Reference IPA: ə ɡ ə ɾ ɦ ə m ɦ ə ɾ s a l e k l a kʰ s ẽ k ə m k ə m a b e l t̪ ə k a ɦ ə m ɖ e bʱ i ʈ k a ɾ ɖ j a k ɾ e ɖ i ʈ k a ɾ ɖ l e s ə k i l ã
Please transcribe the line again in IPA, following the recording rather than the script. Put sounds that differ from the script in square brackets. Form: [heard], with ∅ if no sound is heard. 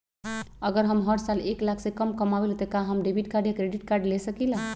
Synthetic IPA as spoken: ə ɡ ə ɾ ɦ ə m ɦ ə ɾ s a l e k l a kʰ s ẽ k ə m k ə m a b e l t̪ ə k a ɦ ə m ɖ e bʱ i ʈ k a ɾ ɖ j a k ɾ e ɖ i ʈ k a ɾ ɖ l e s ə k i l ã